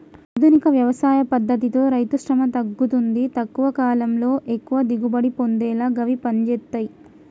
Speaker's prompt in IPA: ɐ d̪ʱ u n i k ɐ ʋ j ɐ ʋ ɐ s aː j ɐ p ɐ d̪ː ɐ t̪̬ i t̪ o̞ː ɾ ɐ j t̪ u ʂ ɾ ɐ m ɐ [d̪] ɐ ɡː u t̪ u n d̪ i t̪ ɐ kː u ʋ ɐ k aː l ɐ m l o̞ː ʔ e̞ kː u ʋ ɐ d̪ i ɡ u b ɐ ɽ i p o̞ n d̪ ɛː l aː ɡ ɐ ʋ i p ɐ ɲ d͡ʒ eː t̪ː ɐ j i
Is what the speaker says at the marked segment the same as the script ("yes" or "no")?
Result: no